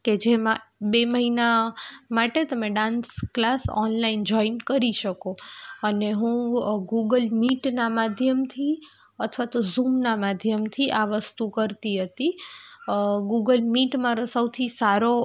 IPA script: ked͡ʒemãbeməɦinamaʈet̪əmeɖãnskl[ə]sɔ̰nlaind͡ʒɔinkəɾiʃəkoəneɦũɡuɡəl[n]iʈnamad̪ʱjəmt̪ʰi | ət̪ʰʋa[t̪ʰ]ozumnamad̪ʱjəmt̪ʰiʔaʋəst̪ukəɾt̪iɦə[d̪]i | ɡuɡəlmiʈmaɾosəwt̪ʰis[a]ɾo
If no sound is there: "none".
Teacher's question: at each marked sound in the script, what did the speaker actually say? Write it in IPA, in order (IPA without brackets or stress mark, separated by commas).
a, m, t̪, t̪, a